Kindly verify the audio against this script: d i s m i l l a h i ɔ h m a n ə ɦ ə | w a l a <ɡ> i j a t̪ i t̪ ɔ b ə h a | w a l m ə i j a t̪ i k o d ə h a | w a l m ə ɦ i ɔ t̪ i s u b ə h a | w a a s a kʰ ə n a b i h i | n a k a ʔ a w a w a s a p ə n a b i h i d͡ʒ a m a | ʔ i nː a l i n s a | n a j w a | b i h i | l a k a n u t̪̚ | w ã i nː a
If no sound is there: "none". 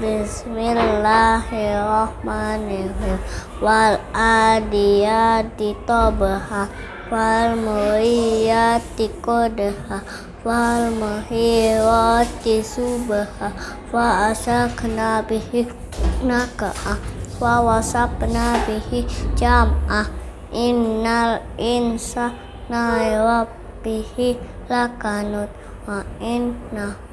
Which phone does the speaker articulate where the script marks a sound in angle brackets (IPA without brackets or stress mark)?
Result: d